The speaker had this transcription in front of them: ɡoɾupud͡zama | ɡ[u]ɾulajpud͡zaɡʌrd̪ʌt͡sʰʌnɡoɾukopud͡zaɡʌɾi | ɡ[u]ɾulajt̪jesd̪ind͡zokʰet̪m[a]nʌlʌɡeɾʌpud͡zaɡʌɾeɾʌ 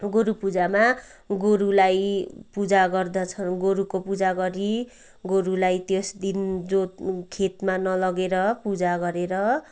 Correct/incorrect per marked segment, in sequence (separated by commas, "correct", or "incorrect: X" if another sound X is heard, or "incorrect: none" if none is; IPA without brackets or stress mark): incorrect: o, incorrect: o, correct